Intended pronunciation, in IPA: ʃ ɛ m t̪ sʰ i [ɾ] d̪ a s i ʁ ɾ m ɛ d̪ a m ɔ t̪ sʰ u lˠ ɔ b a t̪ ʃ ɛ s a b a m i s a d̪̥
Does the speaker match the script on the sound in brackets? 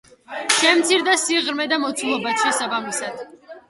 yes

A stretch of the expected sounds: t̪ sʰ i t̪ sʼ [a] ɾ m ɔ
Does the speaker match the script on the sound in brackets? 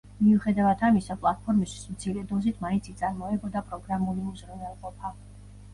yes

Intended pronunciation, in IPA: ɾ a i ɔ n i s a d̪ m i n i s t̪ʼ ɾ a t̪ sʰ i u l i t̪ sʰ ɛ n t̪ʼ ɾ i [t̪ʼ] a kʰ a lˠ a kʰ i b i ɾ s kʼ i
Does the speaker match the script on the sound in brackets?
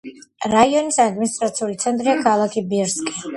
no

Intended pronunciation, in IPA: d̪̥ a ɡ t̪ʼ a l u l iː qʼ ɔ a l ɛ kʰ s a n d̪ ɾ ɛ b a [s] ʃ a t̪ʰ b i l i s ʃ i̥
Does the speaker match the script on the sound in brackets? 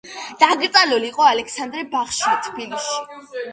no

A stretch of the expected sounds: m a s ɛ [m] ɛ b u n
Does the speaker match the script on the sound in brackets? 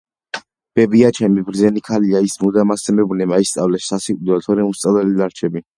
yes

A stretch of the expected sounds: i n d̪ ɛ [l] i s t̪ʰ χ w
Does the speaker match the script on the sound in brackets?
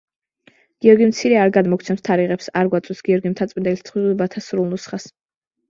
yes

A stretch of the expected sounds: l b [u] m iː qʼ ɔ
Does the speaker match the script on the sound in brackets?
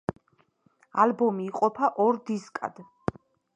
no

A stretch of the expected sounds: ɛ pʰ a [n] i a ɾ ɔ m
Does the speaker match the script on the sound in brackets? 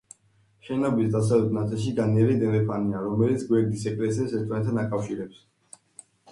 yes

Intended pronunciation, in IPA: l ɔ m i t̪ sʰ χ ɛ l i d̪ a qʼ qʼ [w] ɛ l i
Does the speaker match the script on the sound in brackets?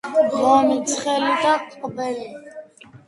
no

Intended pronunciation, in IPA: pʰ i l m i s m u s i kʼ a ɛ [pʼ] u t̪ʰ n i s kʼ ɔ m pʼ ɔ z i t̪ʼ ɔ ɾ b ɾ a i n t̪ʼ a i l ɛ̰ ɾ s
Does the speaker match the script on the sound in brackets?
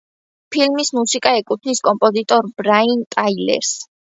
no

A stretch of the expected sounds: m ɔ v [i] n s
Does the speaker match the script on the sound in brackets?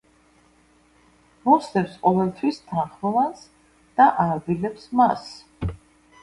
no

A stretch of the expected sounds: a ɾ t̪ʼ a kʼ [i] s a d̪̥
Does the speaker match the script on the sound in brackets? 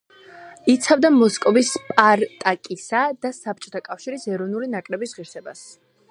yes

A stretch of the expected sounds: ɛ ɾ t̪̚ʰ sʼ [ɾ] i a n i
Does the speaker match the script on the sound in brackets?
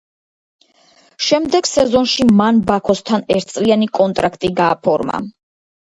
no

